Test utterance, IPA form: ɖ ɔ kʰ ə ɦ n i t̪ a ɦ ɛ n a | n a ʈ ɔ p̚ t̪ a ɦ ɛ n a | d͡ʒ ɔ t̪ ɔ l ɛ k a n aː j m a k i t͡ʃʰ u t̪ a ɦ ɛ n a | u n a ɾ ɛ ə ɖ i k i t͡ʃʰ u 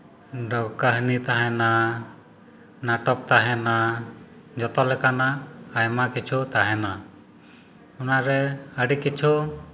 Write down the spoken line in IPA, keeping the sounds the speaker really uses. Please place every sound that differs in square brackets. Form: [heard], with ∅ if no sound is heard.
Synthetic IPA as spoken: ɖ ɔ [k] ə ɦ n i t̪ a ɦ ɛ n a | n a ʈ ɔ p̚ t̪ a ɦ ɛ n a | d͡ʒ ɔ t̪ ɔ l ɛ k a n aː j m a k i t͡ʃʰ u t̪ a ɦ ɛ n a | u n a ɾ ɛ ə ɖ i k i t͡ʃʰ u